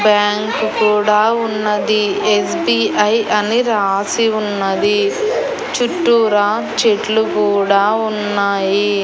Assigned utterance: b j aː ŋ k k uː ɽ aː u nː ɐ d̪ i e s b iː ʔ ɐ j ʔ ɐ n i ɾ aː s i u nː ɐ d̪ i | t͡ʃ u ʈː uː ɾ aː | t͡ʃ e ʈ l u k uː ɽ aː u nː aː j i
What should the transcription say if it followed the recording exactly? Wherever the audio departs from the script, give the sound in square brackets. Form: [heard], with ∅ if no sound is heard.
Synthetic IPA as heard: b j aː ŋ k k uː ɽ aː u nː ɐ d̪ i e s b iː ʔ ɐ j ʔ ɐ n i ɾ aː s i u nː ɐ d̪ i | t͡ʃ u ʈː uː ɾ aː | t͡ʃ e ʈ l u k uː ɽ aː u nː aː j i